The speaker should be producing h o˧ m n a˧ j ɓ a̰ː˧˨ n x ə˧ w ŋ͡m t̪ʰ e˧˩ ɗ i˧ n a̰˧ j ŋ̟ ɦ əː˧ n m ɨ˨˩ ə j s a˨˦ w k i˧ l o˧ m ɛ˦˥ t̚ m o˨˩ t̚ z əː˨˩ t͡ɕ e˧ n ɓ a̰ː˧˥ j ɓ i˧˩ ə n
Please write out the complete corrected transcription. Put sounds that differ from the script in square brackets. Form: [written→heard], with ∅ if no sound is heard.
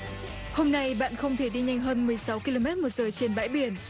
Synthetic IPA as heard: h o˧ m n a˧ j ɓ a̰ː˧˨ n x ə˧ w ŋ͡m t̪ʰ e˧˩ ɗ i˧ [n→ɲ] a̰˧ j ŋ̟ ɦ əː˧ n m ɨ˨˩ ə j s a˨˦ w k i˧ l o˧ m ɛ˦˥ t̚ m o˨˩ t̚ z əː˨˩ t͡ɕ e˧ n ɓ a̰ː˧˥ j ɓ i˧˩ ə n